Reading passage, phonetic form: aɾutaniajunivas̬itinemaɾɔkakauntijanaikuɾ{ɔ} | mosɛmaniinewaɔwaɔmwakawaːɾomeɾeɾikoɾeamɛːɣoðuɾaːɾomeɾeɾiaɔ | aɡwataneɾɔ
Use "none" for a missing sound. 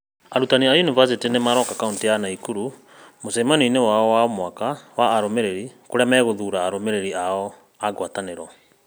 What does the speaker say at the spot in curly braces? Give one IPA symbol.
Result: u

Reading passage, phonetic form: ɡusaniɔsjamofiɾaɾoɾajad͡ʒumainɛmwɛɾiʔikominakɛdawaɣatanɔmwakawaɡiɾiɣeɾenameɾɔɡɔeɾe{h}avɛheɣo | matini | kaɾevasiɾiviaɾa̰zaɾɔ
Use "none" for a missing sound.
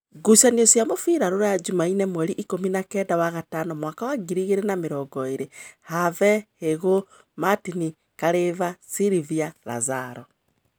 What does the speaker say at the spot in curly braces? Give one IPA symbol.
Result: h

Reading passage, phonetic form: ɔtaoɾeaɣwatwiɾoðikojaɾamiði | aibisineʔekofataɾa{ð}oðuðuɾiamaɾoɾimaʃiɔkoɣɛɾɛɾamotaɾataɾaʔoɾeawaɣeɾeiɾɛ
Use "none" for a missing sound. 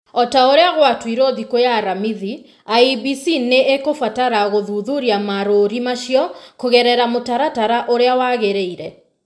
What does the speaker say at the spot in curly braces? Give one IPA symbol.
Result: ɣ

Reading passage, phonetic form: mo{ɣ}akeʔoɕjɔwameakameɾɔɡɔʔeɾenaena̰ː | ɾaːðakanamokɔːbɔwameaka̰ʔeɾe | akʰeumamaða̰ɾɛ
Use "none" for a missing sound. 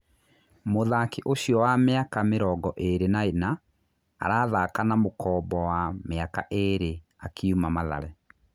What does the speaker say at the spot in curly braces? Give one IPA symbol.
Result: ð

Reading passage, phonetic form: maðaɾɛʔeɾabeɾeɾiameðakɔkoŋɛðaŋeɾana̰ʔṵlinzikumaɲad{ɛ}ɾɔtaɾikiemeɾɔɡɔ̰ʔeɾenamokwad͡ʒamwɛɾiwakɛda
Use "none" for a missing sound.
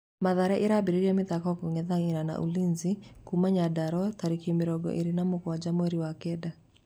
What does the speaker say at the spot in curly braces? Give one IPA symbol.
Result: a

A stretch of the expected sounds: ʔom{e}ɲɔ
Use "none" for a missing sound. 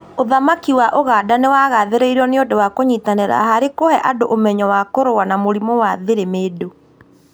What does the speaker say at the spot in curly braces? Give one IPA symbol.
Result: ɛ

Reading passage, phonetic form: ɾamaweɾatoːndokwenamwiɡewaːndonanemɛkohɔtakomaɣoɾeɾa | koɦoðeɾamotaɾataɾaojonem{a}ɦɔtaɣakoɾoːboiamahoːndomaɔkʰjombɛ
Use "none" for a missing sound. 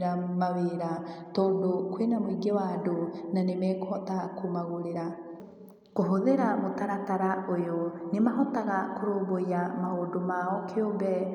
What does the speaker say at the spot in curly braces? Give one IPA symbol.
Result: a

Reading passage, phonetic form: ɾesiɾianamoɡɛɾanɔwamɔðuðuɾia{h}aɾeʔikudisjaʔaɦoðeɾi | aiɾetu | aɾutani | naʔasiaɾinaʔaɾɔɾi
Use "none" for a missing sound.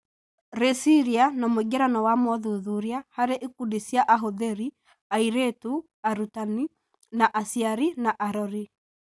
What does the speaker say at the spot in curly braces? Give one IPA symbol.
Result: h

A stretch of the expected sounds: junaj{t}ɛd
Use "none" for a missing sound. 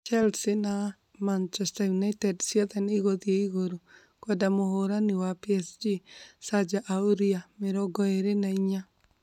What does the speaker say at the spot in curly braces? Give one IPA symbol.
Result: t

